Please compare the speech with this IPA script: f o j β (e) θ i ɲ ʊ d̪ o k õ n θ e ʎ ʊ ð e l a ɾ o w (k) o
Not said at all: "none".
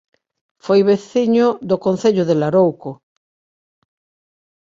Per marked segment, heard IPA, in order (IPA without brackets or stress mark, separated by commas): e, k